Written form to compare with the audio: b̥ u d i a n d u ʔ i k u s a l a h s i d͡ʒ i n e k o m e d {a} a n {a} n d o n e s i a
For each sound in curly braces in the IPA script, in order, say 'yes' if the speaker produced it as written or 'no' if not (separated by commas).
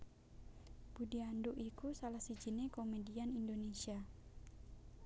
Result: no, no